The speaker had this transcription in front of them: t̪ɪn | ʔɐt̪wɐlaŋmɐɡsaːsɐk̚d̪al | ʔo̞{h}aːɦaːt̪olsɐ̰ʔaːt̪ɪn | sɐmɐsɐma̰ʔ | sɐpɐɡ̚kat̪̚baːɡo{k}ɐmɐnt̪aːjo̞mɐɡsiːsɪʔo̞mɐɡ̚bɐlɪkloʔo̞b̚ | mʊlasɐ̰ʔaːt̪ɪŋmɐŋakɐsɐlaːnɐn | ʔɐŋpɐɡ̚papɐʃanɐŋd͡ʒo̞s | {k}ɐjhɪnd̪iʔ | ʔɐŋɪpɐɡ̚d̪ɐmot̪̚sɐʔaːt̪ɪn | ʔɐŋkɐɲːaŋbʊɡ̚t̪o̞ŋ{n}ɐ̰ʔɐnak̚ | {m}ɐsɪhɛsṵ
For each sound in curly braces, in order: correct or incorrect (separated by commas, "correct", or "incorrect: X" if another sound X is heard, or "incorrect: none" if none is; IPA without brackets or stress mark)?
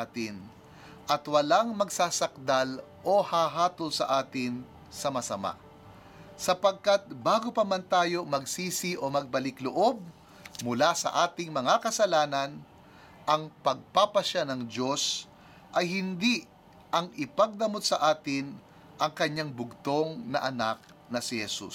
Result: correct, incorrect: p, incorrect: ʔ, correct, incorrect: n